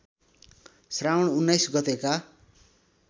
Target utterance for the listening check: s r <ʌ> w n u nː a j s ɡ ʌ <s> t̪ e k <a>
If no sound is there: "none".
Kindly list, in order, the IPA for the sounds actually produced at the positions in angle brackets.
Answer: a, none, a

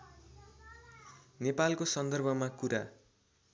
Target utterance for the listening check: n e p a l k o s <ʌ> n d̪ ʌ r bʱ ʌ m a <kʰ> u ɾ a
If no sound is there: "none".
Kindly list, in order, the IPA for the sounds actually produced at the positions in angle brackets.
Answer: ʌ, k

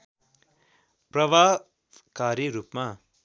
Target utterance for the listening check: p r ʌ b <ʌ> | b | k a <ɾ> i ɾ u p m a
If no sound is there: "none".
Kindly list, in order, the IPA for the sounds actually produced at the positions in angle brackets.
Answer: a, ɾ

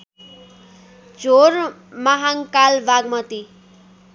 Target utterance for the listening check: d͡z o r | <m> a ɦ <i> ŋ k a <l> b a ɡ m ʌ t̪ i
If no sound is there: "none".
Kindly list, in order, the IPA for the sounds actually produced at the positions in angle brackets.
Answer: m, a, l

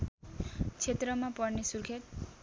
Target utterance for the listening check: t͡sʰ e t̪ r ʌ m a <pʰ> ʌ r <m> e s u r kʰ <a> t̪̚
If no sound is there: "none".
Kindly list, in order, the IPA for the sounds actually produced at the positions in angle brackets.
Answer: p, n, e

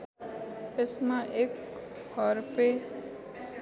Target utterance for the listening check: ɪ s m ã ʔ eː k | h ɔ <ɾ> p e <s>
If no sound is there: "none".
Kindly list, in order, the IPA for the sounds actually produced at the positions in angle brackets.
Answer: ɾ, none

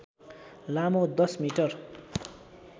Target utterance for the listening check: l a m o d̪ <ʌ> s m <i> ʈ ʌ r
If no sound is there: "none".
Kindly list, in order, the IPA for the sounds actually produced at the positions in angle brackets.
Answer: ʌ, i

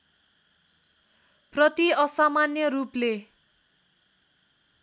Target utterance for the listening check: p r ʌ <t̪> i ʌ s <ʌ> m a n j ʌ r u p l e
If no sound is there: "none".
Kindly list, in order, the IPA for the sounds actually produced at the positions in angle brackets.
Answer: t̪, a

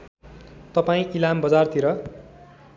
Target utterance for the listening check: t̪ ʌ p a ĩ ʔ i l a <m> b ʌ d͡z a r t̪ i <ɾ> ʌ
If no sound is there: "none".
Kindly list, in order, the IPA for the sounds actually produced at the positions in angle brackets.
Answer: m, ɾ

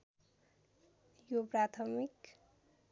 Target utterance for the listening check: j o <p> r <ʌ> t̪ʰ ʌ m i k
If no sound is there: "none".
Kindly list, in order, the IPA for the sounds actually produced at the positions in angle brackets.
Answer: p, a

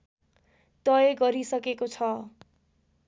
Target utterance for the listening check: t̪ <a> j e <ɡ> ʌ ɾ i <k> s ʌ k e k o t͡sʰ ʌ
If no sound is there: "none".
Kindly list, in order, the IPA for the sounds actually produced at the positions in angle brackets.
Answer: ʌ, ɡ, none

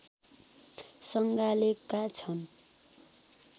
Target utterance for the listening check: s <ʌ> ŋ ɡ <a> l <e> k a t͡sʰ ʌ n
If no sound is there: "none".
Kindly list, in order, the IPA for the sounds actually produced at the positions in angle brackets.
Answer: ʌ, a, e

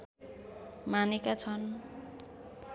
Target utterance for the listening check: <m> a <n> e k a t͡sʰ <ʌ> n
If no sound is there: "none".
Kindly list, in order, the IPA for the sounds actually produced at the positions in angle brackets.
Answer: m, n, ʌ

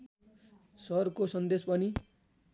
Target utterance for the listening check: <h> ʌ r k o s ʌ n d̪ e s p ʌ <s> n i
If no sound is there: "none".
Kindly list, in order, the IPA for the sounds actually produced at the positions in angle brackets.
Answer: s, none

